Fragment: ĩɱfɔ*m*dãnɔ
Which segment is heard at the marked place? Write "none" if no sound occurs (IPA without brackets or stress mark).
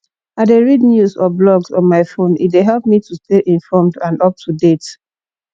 m